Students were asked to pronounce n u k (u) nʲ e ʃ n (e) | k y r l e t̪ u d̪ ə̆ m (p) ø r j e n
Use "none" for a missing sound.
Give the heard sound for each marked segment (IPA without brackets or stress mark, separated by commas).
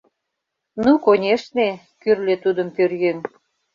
o, e, p